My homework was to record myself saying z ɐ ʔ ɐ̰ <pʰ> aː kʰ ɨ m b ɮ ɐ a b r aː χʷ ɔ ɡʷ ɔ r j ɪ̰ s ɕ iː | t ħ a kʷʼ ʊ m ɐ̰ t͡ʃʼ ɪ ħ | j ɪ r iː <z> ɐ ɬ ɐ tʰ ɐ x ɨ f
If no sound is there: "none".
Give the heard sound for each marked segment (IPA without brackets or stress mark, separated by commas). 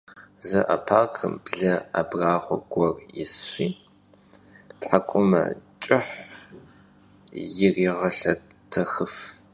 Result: pʰ, ʁ